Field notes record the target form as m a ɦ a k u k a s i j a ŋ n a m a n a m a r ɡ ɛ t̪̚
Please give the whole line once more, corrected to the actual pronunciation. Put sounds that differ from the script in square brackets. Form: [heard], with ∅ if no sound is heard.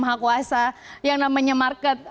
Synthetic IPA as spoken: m a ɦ a k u [∅] a s [a] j a ŋ n a m a [ɲ] a m a r [k] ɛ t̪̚